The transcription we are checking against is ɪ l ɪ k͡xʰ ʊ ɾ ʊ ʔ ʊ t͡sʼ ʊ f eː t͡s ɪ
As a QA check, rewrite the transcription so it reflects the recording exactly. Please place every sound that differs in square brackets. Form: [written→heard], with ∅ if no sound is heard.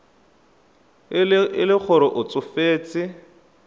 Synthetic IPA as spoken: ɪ l ɪ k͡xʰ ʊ ɾ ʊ ʔ ʊ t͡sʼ ʊ f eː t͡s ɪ

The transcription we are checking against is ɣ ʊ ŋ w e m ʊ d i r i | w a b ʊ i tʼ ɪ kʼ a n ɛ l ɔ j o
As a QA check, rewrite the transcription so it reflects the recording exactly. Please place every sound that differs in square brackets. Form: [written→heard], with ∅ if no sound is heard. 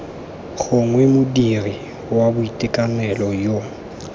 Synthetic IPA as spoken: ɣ ʊ ŋ w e m ʊ d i r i | w a b ʊ i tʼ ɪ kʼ a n ɛ l ɔ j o

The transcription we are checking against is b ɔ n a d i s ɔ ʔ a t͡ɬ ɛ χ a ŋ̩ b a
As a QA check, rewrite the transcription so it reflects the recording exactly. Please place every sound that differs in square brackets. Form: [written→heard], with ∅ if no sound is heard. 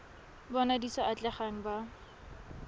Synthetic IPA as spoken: b ɔ n a d i s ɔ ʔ a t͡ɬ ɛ χ a ŋ̩ b a

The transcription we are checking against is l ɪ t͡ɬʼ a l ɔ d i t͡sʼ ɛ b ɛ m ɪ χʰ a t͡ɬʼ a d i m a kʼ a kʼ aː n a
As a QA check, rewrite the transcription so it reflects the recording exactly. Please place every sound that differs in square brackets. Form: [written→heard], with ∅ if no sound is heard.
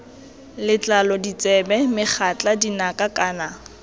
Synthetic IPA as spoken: l ɪ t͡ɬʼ a l ɔ d i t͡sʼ ɛ b ɛ m ɪ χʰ a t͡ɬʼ a d i [m→n] a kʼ a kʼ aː n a

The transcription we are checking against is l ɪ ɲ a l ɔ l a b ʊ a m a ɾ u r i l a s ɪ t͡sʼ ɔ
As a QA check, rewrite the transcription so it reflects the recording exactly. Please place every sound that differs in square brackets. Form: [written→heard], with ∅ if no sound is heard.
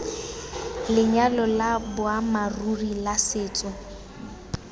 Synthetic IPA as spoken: l ɪ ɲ a l ɔ l a b ʊ a m a [ɾ→r] u r i l a s [ɪ→ɪː] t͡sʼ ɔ

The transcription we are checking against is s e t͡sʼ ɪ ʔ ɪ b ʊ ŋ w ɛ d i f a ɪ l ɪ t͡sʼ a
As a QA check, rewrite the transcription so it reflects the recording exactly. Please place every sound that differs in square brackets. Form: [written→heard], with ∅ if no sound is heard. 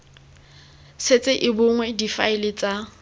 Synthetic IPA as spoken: s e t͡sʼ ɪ ʔ ɪ b ʊ ŋ w ɛ d i f a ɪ l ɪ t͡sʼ a

